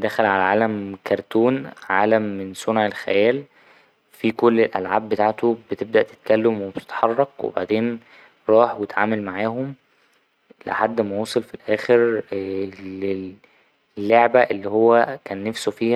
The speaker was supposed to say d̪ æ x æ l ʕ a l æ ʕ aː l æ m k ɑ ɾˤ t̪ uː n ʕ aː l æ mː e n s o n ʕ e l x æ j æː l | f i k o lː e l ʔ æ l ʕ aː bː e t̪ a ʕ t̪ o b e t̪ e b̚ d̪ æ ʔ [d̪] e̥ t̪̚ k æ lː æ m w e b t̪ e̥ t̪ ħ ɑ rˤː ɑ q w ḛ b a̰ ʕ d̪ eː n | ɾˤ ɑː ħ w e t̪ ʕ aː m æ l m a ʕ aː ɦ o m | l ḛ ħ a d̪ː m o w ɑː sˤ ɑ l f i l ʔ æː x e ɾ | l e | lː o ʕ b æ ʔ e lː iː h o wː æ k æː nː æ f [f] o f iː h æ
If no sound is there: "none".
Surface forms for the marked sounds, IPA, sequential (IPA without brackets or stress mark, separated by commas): t̪, s